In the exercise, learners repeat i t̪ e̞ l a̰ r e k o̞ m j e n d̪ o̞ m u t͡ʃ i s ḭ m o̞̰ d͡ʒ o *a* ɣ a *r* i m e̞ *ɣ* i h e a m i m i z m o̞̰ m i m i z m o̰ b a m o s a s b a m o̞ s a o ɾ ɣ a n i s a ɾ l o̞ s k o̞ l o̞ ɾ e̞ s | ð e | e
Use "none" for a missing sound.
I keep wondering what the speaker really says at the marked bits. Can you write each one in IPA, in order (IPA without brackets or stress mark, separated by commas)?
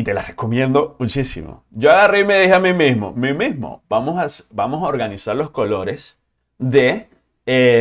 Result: a, r, ð